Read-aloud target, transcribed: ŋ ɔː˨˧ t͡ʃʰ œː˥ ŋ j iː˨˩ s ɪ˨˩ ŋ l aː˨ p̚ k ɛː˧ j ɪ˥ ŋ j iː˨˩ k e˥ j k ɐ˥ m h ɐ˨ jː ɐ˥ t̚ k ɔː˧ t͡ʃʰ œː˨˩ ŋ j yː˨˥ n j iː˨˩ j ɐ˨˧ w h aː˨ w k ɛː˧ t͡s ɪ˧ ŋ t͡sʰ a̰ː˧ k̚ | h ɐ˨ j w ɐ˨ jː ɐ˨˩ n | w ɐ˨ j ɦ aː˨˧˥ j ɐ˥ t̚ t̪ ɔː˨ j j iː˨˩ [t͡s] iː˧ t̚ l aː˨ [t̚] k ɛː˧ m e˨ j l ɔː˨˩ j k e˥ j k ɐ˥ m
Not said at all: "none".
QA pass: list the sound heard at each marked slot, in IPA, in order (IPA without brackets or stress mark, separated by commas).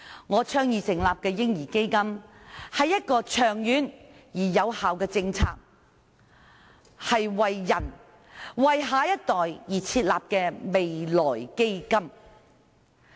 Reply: t͡sʰ, p̚